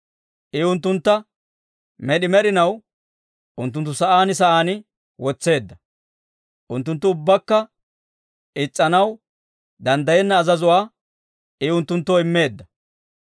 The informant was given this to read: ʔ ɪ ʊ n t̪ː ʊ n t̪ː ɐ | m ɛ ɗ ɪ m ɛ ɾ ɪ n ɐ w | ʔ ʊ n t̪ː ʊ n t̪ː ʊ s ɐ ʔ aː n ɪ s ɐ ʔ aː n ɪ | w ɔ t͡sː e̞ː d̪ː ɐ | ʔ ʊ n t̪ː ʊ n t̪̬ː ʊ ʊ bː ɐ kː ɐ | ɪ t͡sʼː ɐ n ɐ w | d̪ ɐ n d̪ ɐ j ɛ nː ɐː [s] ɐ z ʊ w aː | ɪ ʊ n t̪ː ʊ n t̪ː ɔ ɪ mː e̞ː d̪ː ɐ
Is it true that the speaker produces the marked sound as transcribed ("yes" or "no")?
no